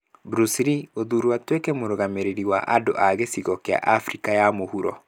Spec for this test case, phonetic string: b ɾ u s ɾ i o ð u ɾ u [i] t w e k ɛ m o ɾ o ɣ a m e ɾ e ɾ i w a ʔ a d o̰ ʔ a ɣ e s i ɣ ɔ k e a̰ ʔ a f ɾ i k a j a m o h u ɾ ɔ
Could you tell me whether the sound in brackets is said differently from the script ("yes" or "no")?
yes